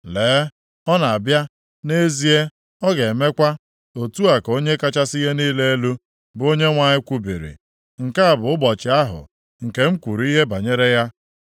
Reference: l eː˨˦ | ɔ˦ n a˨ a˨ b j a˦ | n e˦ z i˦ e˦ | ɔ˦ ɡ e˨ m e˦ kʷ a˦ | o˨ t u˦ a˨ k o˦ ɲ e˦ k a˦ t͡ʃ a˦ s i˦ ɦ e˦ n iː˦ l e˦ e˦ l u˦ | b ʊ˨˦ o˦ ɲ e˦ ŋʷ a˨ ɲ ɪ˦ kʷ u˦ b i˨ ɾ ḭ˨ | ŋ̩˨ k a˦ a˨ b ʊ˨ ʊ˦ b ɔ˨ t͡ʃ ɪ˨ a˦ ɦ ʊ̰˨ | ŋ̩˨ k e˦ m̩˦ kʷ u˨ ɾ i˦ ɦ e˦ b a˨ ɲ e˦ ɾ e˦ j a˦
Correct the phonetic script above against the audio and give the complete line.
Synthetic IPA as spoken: l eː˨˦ | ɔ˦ n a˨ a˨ b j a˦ | n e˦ z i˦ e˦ | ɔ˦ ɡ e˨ m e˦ kʷ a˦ | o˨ t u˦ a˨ k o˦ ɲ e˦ k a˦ t͡ʃ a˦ s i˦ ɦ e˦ n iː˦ l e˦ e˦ l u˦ | b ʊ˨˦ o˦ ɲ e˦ ŋʷ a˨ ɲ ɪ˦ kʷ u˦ b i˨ ɾ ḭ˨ | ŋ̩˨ k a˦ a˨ b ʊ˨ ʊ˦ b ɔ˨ t͡ʃ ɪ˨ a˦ ɦ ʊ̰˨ | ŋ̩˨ k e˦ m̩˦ kʷ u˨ ɾ i˦ ɦ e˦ b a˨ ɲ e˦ ɾ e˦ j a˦